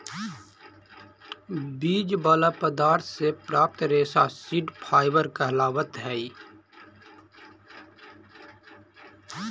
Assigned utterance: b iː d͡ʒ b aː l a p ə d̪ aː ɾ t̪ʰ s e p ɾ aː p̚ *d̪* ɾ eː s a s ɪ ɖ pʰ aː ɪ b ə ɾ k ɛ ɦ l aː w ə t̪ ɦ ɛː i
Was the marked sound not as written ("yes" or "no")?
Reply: yes